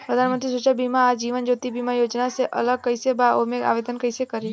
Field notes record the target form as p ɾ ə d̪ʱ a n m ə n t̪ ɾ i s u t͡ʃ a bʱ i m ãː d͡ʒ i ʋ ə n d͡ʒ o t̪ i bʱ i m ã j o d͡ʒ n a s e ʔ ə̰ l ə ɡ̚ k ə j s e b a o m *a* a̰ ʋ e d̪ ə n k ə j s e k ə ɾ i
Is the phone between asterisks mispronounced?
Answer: yes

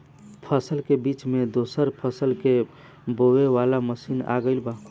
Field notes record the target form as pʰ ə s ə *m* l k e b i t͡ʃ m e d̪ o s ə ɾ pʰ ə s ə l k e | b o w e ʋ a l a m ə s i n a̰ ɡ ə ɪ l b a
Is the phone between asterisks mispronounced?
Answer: yes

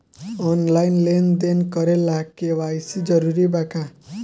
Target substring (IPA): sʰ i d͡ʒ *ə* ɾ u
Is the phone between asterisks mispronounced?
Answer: yes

